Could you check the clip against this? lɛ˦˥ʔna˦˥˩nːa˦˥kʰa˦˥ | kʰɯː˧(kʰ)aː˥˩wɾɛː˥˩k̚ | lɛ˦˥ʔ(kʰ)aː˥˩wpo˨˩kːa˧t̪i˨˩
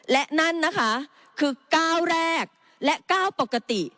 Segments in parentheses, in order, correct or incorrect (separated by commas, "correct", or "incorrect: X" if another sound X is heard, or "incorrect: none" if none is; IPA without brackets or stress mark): incorrect: k, incorrect: k